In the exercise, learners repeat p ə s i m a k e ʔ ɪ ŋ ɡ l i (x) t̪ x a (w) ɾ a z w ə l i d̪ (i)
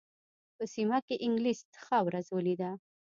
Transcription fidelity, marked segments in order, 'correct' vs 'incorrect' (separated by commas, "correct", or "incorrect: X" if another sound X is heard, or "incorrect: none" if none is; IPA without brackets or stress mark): incorrect: s, correct, incorrect: a